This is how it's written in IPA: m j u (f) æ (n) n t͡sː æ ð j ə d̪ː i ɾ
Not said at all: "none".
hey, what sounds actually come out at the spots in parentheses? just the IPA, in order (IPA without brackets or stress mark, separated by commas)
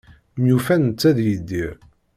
f, n